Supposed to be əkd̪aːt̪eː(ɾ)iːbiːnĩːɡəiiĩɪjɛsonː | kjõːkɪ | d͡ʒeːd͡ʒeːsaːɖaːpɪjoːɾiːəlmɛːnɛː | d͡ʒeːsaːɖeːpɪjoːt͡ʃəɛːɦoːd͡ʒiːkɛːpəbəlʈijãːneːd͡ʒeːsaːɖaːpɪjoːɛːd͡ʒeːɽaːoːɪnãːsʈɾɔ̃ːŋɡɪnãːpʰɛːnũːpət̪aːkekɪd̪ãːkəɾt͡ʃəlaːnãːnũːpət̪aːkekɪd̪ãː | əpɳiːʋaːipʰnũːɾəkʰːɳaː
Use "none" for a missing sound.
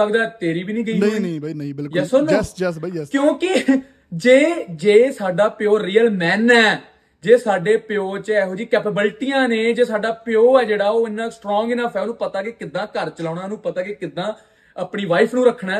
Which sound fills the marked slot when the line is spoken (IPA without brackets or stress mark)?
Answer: ɾ